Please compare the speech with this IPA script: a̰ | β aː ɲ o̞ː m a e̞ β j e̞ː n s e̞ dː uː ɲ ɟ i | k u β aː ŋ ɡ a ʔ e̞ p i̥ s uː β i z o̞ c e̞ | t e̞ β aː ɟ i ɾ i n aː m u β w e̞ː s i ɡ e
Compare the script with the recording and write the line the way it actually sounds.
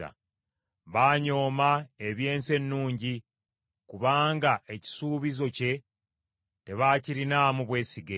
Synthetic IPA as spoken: a̰ | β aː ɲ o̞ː m a e̞ β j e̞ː n s e̞ nː uː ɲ ɟ i | k u β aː ŋ ɡ a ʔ e̞ c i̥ s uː β i z o̞ c e̞ | t e̞ β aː c i ɾ i n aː m u β w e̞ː s i ɡ e